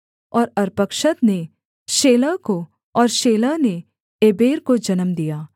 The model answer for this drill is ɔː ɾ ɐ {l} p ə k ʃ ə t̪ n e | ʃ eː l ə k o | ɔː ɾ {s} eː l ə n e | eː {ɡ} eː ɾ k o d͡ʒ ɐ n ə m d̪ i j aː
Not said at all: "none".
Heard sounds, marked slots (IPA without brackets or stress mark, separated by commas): ɾ, ʃ, b